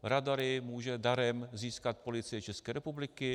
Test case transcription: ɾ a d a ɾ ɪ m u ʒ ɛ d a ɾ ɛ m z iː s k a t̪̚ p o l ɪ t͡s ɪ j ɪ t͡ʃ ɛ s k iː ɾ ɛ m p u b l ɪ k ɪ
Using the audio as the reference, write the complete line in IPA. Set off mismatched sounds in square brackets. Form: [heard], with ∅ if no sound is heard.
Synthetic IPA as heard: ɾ a d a ɾ ɪ m [uː] ʒ ɛ d a ɾ ɛ m z iː s k a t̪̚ p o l ɪ t͡s ɪ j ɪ t͡ʃ ɛ s k [ɛː] ɾ ɛ [∅] p u b l ɪ k ɪ